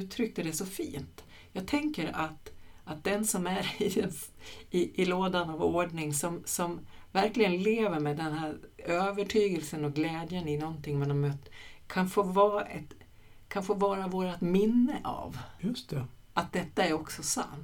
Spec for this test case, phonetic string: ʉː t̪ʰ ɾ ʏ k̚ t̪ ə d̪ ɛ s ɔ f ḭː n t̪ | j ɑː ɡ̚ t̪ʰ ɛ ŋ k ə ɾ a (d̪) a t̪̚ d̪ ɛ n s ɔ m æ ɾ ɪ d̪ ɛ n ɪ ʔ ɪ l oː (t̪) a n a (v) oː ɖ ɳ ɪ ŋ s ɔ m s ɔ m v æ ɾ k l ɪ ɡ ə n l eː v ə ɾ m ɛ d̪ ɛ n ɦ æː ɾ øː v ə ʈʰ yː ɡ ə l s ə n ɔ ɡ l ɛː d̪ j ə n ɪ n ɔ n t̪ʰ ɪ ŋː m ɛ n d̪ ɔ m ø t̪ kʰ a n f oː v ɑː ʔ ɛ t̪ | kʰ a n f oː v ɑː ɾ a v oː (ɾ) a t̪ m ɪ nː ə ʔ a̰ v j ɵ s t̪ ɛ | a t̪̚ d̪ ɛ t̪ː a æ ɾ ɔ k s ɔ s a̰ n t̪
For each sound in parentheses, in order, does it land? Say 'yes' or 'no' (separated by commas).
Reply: no, no, yes, yes